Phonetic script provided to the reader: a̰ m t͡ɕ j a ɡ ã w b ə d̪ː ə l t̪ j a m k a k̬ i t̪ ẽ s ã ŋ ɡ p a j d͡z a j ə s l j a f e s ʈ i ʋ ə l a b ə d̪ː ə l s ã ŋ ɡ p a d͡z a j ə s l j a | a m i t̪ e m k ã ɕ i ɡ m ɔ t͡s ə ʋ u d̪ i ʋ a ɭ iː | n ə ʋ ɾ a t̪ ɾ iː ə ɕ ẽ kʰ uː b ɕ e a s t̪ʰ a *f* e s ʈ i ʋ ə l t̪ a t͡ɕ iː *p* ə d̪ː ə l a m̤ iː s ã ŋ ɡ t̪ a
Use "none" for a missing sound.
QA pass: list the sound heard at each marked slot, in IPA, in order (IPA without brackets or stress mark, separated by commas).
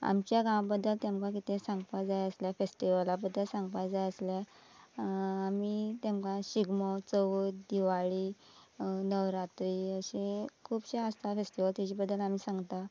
f, b